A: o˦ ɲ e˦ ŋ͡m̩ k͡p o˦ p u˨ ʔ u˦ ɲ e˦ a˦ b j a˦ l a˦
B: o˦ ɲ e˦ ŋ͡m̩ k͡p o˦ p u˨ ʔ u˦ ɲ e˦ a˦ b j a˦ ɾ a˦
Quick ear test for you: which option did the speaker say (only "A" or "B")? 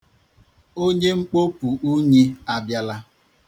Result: A